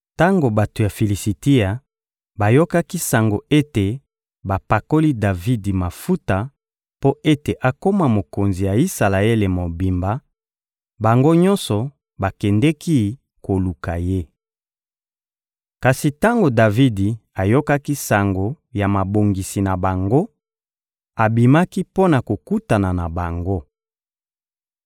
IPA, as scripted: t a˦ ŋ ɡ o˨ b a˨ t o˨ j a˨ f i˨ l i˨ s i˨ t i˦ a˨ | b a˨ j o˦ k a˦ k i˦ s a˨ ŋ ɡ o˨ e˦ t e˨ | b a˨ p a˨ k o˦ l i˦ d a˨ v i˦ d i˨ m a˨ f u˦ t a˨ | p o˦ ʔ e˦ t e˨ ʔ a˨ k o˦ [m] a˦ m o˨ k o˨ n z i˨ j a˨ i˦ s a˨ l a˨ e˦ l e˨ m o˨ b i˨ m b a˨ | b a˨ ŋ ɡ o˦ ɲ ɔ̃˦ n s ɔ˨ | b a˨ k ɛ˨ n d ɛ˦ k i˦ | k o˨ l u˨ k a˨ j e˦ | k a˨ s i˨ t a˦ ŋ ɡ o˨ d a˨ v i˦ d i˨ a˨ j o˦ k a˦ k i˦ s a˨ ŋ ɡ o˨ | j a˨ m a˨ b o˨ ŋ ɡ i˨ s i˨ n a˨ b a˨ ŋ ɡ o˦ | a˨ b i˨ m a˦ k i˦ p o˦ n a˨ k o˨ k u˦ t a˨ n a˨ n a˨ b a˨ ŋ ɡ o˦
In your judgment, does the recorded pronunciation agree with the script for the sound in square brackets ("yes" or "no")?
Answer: yes